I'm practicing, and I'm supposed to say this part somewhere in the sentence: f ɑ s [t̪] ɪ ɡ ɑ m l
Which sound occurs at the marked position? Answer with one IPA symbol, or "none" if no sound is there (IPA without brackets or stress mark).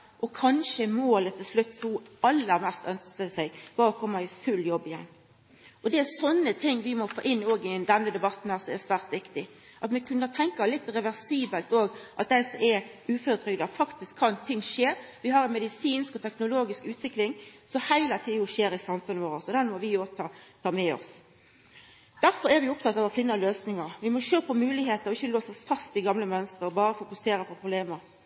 t̪